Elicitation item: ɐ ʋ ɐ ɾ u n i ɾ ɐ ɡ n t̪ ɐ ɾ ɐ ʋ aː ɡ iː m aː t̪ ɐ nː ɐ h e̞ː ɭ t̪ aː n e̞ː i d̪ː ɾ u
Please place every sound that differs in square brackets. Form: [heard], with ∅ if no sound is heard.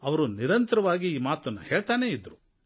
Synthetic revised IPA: ɐ ʋ ɐ ɾ u n i ɾ ɐ [∅] n t̪ ɐ ɾ ɐ ʋ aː ɡ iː m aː t̪ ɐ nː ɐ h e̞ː ɭ t̪ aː n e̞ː i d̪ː ɾ u